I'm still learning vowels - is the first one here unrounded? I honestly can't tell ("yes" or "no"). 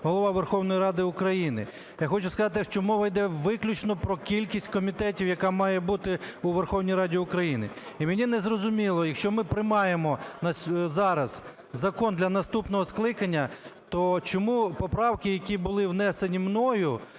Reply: no